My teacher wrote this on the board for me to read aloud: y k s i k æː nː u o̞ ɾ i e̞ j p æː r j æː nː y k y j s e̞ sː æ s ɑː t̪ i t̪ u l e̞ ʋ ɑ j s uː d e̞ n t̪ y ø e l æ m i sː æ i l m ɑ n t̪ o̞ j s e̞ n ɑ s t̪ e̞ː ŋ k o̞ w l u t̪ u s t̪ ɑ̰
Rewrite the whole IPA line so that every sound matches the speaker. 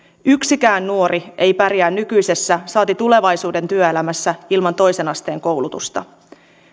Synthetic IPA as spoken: y k s i k æː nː u o̞ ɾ i e̞ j p æ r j æː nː y k y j s e̞ sː æ s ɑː t̪ i t̪ u l e̞ ʋ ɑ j s uː d e̞ n t̪ y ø e l æ m æ sː æ i l m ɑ n t̪ o̞ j s e̞ n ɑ s t̪ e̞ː ŋ k o̞ w l u t̪ u s t̪ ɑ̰